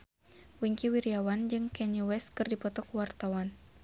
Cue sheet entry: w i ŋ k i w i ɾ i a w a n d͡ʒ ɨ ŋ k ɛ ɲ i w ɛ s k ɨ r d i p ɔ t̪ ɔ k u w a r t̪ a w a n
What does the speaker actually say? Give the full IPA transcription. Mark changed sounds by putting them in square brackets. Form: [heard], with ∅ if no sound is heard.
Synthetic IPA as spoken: w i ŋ k i w i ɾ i a w a n d͡ʒ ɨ ŋ k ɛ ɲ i w ɛ s k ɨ r d i p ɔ t̪ ɔ k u w a r t̪ a w a n